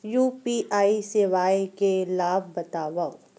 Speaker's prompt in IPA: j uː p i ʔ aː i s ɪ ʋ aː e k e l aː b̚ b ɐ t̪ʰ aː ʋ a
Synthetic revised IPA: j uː p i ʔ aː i s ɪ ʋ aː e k e l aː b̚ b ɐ t̪ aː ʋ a